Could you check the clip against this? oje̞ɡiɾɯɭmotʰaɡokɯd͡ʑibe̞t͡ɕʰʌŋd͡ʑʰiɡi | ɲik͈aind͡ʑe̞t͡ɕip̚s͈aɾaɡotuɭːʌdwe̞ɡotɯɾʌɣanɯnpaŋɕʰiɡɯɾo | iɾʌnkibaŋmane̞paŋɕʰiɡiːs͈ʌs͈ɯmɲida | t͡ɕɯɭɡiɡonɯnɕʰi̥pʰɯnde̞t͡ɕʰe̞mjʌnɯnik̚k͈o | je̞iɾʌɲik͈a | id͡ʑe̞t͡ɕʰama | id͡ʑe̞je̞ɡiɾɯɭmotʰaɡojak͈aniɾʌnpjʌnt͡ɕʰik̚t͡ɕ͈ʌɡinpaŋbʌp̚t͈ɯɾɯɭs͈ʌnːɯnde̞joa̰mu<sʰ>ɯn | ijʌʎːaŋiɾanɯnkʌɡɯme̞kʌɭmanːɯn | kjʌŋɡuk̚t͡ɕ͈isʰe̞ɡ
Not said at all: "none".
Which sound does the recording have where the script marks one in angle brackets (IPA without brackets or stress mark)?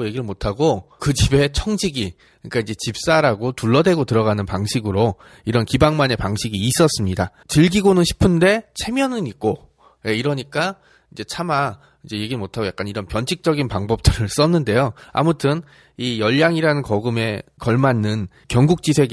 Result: tʰ